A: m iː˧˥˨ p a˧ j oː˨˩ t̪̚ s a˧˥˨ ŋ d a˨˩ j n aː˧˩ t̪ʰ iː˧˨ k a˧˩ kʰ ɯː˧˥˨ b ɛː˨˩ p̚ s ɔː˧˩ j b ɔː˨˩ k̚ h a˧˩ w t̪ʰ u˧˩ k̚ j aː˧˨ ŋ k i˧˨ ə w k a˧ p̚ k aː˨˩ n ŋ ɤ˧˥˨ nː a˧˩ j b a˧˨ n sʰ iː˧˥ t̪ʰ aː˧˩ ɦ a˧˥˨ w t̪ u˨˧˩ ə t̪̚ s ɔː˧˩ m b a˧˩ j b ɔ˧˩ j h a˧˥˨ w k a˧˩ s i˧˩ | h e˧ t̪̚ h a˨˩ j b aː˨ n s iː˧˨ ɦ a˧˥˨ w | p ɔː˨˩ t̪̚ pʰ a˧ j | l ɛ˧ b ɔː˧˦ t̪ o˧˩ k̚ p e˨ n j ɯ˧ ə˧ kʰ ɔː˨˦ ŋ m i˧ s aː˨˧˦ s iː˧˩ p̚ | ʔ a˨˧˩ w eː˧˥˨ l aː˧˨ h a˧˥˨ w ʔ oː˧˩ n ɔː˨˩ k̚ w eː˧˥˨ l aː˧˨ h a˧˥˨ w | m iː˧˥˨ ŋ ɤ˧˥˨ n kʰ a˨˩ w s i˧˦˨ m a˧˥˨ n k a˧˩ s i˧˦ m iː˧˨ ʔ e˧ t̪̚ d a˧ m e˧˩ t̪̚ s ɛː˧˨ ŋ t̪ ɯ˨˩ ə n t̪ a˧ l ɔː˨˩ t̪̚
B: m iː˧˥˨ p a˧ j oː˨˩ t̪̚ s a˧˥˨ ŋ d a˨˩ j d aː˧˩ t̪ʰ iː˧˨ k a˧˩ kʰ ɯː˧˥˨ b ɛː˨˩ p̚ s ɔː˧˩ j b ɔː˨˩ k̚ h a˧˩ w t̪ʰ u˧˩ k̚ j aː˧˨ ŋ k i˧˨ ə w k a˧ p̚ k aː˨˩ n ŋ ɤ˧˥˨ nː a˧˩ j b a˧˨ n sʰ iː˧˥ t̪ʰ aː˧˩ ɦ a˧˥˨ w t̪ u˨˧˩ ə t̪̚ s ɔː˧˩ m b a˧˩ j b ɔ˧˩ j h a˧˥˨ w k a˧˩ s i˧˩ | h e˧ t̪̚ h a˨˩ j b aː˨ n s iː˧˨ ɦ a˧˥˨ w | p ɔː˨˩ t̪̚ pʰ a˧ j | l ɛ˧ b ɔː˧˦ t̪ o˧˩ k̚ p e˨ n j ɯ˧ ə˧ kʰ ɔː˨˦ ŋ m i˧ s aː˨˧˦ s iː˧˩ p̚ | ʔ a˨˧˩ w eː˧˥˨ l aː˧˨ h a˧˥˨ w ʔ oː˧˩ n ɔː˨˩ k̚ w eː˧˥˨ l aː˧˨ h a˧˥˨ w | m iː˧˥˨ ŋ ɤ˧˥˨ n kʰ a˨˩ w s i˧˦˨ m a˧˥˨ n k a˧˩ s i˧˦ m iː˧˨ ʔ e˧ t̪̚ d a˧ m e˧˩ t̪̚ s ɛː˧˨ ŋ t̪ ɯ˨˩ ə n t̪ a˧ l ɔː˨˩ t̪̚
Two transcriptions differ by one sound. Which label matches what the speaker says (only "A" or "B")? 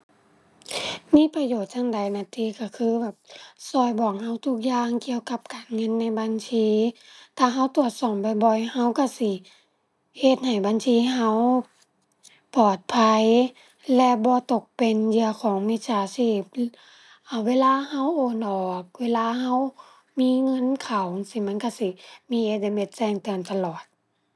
A